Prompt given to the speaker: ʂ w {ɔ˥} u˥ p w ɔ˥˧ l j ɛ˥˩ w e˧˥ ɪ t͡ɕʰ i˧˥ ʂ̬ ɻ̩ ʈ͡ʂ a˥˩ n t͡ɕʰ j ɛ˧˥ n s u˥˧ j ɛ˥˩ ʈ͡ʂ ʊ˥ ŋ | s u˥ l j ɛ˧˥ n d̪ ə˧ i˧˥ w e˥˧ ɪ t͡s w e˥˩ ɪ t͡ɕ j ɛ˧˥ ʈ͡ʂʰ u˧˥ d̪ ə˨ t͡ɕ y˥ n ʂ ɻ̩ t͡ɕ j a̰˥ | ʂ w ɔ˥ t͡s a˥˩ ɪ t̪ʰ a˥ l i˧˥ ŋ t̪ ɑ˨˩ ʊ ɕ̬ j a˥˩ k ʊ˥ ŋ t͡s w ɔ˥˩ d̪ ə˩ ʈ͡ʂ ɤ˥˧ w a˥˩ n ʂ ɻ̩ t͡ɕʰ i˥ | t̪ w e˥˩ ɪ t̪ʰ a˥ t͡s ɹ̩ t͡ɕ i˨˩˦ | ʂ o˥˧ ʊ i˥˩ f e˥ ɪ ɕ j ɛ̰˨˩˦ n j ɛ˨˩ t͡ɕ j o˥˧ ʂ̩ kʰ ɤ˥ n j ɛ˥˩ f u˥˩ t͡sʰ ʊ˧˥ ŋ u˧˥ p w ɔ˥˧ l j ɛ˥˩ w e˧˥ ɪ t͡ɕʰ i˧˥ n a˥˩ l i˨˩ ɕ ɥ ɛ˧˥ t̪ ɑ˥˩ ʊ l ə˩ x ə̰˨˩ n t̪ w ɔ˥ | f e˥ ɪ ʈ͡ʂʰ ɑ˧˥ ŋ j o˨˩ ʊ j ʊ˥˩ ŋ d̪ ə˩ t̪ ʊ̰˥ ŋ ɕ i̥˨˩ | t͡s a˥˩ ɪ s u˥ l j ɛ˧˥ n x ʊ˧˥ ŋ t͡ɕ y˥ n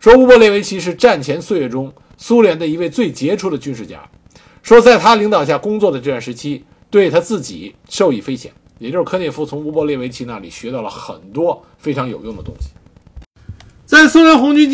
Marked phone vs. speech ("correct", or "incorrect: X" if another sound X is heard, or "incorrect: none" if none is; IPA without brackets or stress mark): correct